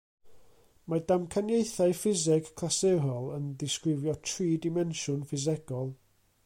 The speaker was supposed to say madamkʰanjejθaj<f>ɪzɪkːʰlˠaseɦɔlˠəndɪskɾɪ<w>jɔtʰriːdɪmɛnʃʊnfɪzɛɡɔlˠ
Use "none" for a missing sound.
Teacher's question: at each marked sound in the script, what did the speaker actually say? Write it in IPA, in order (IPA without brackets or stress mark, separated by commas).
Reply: f, v